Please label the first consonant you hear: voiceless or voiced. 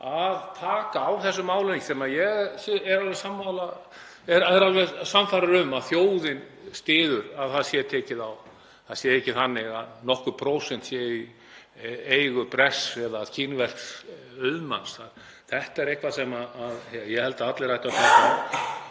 voiced